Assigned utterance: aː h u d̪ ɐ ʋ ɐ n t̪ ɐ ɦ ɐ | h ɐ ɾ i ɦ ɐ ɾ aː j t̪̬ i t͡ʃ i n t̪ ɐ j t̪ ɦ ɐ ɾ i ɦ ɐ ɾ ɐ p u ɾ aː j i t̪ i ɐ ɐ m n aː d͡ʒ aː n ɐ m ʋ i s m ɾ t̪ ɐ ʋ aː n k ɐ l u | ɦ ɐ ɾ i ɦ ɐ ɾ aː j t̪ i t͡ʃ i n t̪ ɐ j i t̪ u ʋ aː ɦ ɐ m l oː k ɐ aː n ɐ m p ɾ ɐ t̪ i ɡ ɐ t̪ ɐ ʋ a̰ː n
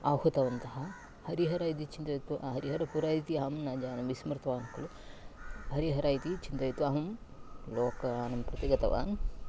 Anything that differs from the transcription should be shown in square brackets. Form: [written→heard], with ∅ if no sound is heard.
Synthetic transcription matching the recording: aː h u [d̪→t̪] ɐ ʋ ɐ n t̪ ɐ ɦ ɐ | h ɐ ɾ i ɦ ɐ ɾ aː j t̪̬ i t͡ʃ i n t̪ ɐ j t̪ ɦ ɐ ɾ i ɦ ɐ ɾ ɐ p u ɾ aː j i t̪ i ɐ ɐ m n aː d͡ʒ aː n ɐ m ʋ i s m ɾ t̪ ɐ ʋ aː n k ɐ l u | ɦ ɐ ɾ i ɦ ɐ ɾ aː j t̪ i t͡ʃ i n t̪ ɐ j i t̪ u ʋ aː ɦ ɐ m l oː k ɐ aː n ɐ m p ɾ ɐ t̪ i ɡ ɐ t̪ ɐ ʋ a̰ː n